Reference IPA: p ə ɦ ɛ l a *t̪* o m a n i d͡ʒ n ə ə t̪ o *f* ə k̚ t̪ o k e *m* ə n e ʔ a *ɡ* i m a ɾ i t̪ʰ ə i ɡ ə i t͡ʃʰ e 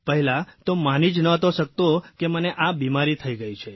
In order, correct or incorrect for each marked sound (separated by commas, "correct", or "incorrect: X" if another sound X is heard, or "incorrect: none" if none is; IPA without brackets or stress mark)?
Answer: correct, incorrect: ʃ, correct, incorrect: b